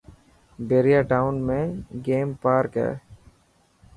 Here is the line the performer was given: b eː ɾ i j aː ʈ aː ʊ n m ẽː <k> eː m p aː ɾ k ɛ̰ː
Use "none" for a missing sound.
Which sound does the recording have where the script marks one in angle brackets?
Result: ɡ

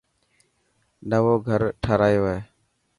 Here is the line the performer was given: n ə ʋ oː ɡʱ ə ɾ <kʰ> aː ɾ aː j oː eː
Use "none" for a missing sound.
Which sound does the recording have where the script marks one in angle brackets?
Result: ʈʰ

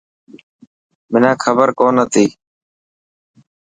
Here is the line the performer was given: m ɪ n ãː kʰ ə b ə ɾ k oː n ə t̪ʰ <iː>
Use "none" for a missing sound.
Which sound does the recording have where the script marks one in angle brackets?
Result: iː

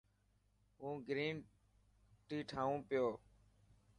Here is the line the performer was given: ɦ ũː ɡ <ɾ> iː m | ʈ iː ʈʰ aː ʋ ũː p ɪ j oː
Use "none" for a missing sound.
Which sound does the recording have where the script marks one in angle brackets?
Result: ɾ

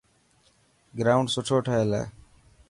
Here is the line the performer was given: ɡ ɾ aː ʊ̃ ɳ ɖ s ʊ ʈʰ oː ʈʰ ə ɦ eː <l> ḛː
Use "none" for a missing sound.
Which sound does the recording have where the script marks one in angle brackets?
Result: l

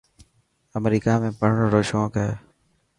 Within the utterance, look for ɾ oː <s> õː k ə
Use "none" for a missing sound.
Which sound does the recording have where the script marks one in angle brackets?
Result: ʃ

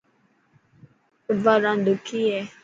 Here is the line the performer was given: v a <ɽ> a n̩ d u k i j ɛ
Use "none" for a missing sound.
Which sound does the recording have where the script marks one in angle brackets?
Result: ɾ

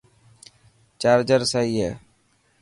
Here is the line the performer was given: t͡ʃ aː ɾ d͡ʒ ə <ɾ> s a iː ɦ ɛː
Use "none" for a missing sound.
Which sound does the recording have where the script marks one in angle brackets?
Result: ɾ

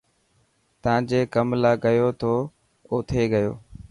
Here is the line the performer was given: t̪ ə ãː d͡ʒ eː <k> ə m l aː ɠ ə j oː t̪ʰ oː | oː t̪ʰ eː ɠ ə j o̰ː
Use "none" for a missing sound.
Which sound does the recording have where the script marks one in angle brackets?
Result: k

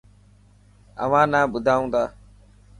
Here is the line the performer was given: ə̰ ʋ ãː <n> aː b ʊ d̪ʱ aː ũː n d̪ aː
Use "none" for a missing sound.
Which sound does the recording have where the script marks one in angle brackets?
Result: n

